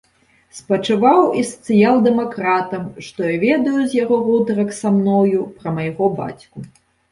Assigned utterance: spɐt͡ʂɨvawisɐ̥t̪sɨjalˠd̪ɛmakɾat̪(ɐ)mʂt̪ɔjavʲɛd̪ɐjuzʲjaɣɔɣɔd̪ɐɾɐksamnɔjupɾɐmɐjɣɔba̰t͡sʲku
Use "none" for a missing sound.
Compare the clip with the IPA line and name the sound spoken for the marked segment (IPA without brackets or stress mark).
ɐ